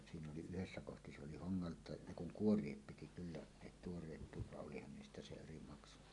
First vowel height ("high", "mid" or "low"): high